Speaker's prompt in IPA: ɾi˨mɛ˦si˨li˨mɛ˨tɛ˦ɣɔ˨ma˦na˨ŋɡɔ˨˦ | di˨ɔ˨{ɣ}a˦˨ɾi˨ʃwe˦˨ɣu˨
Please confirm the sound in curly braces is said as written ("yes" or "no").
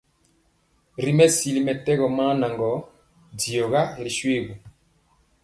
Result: yes